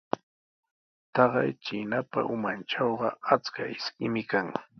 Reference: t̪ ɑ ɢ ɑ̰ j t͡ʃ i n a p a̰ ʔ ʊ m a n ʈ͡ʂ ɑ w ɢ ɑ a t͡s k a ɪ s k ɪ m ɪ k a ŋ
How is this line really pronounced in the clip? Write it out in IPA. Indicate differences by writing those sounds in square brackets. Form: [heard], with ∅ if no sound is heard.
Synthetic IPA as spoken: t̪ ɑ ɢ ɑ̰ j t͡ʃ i n a p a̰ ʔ ʊ m a n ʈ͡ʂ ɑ w ɢ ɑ a t͡s k a ɪ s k ɪ m ɪ k a ŋ